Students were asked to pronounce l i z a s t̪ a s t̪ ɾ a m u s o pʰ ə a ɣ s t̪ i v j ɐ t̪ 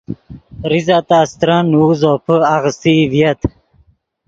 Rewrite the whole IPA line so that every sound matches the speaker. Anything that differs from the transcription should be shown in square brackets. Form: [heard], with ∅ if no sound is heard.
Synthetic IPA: [ɾ] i z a [∅] t̪ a s t̪ ɾ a [n] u [z] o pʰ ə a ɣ s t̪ i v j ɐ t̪